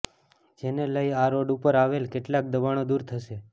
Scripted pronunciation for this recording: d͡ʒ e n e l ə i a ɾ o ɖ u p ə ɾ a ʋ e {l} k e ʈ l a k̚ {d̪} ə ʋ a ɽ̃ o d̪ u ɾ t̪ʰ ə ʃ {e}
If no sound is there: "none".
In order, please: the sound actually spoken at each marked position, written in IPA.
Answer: l, d̪, e

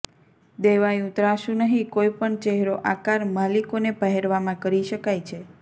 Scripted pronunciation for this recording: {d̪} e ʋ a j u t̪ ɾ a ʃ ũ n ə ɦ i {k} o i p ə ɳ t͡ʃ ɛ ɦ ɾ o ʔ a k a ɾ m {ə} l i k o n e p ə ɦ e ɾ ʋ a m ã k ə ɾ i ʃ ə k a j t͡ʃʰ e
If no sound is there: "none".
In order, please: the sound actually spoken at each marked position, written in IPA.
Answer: d̪, k, a

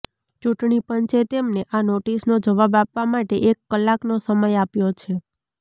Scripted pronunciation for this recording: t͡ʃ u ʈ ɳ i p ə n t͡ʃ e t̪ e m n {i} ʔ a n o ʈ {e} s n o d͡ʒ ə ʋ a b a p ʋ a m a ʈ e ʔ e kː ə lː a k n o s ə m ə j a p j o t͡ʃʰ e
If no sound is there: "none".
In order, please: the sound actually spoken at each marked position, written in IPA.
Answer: e, i

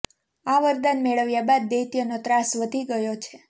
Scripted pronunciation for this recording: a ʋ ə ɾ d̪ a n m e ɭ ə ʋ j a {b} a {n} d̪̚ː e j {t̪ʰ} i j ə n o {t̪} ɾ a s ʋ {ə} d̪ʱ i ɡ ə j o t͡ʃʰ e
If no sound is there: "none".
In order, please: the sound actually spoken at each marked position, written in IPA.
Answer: b, none, t̪, t̪, ə

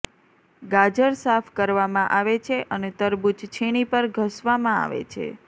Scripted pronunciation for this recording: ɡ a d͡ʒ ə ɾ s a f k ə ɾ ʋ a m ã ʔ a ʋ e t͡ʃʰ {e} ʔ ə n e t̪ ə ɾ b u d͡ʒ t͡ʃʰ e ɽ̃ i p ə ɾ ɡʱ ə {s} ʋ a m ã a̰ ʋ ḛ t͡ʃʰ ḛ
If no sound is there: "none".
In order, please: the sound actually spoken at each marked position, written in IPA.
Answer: e, s

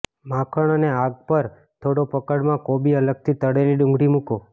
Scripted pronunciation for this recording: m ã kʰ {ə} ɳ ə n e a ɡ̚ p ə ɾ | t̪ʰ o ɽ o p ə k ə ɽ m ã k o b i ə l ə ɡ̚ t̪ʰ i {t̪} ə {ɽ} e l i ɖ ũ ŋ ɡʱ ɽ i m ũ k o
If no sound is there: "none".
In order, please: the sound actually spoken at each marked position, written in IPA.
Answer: ə, t̪, ɽ

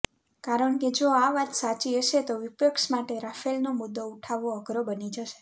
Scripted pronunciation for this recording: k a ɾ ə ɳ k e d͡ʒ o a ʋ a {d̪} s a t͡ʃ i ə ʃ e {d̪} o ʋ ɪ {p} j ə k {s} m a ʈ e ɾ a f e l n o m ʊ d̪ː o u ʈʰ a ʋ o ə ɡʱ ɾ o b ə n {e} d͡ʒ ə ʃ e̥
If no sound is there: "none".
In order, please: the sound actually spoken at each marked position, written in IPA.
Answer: t̪, t̪, p, ʃ, i

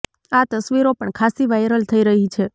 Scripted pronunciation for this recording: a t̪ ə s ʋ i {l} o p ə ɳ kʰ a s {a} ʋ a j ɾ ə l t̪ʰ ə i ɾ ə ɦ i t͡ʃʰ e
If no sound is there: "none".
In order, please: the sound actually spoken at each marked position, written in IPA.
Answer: ɾ, i

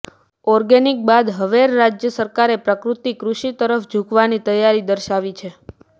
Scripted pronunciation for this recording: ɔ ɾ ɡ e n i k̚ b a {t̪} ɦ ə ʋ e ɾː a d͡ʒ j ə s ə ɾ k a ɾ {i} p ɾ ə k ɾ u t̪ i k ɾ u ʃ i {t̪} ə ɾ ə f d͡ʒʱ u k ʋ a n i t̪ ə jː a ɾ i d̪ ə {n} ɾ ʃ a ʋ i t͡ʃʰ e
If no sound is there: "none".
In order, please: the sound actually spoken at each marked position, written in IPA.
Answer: d̪, e, t̪, none

